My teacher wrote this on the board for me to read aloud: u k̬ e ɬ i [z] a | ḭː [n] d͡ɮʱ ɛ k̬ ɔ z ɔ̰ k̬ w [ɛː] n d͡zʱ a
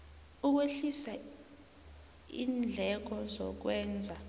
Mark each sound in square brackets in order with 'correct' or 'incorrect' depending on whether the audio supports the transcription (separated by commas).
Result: incorrect, correct, correct